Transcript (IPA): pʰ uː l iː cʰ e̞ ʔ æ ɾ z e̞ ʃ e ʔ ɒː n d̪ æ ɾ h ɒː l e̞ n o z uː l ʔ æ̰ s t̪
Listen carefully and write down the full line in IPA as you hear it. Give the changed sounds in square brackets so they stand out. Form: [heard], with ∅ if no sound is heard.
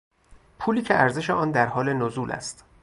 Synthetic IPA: pʰ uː l iː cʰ e̞ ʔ æ ɾ z e̞ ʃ e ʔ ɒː n d̪ æ ɾ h ɒː l e̞ n o z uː l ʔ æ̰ s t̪